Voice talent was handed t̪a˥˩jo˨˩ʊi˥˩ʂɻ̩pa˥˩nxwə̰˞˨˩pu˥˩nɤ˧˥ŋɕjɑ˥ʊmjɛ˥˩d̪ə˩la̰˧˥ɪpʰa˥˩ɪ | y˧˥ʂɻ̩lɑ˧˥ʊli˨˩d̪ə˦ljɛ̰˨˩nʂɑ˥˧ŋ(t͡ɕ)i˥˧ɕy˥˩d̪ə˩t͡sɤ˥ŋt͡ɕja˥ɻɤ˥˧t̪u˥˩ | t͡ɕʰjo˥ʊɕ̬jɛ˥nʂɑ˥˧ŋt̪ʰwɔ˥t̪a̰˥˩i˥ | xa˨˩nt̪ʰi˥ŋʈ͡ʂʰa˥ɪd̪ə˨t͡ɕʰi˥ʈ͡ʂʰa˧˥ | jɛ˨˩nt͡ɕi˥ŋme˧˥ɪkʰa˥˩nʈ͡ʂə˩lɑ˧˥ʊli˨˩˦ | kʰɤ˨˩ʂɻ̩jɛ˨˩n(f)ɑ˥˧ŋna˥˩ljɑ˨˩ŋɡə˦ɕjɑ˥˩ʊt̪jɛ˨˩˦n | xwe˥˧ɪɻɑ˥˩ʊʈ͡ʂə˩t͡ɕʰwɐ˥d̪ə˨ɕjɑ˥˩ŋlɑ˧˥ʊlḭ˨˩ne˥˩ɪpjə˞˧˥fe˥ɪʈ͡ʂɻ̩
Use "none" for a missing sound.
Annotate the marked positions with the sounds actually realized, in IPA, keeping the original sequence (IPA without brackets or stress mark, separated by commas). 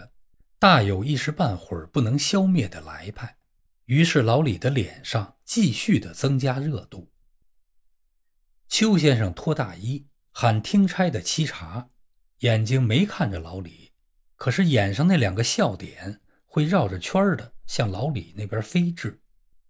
t͡ɕ, ʂ